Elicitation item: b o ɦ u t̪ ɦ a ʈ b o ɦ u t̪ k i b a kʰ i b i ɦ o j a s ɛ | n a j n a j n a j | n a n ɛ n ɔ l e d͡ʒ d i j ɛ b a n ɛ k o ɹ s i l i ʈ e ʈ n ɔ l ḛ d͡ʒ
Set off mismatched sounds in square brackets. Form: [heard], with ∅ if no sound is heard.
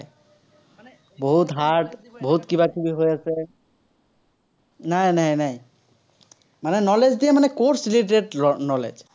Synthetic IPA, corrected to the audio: b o ɦ u t̪ ɦ a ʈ b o ɦ u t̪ k i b a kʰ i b i ɦ o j a s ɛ | n a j n a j n a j | [m] a n ɛ n ɔ l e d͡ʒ d i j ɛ [m] a n ɛ k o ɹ s i l i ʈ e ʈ n ɔ l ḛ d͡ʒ